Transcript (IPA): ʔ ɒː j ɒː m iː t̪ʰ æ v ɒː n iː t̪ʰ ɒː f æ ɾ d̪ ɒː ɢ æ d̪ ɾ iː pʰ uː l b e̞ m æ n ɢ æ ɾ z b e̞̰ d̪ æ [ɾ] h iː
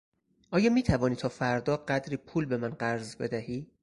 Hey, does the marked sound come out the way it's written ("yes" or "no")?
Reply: no